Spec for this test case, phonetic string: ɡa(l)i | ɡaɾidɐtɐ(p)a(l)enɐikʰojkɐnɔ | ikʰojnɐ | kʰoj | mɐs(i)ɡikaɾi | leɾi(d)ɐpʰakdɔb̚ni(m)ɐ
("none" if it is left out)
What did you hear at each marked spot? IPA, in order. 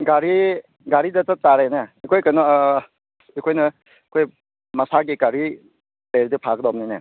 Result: ɾ, t, ɾ, a, d, n

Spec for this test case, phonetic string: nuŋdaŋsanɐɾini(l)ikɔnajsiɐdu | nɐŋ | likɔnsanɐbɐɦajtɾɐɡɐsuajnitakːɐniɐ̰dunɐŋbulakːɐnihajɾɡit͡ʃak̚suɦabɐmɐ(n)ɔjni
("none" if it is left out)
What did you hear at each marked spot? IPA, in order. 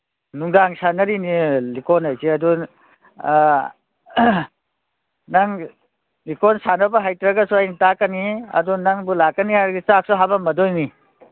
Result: l, d

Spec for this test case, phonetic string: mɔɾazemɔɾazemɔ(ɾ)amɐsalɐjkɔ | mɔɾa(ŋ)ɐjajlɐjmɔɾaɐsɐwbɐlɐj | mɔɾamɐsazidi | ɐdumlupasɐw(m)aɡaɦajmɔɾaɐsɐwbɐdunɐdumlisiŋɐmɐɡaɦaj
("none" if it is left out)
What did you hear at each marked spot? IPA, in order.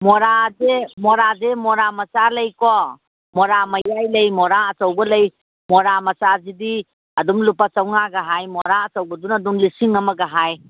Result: ɾ, m, ŋ

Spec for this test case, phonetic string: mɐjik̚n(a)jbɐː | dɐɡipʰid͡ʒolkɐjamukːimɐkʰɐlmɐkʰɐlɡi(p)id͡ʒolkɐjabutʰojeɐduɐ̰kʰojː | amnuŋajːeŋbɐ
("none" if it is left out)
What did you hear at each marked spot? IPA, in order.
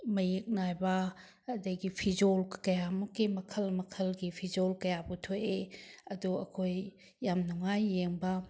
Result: a, pʰ

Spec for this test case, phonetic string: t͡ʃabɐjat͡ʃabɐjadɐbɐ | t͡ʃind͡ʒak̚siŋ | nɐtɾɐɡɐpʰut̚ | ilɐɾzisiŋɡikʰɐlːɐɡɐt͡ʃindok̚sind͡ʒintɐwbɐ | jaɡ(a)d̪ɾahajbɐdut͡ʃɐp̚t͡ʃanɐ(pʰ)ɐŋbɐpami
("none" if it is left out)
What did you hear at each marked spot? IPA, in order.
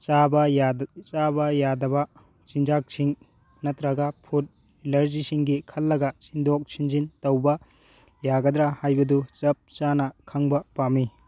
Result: ɐ, kʰ

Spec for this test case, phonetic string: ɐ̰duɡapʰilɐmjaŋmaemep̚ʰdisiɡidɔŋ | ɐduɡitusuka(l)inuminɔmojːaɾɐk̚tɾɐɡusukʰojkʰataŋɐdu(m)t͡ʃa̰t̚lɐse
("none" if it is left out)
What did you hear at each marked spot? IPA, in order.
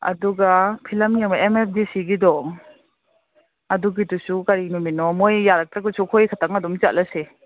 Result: ɾ, m

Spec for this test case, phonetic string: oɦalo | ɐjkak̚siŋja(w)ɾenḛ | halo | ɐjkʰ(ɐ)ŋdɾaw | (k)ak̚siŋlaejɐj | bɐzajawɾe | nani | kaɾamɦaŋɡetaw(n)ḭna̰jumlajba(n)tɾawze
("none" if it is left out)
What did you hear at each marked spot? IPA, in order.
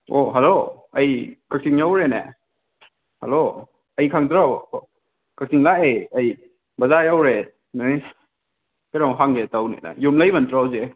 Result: w, a, k, n, n

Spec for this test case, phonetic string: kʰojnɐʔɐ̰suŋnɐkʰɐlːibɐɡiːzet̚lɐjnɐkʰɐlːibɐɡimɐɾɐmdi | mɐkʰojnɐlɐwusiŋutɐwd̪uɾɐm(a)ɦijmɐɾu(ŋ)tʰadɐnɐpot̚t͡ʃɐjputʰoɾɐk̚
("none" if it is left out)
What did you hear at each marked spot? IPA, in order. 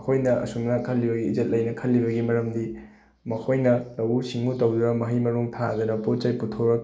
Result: ɐ, ŋ

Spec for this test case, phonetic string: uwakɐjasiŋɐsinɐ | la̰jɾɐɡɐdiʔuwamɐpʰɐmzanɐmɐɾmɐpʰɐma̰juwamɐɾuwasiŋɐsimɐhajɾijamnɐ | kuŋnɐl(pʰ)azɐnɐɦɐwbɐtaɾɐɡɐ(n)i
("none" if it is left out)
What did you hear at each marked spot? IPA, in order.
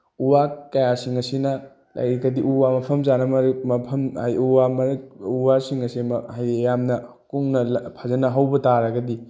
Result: pʰ, d

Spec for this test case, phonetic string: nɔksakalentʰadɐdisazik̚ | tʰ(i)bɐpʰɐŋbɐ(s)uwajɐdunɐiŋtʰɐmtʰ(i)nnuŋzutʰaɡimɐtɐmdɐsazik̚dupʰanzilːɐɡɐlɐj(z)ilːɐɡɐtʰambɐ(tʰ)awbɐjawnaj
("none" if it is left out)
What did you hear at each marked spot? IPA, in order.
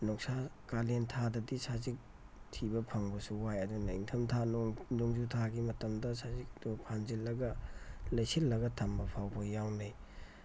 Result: i, s, a, s, pʰ

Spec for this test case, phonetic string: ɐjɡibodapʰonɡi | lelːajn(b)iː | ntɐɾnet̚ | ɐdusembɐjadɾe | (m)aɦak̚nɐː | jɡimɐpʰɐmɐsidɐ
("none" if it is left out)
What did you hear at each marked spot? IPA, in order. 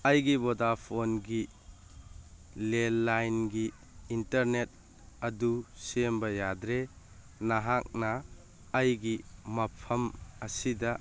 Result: ɡ, n

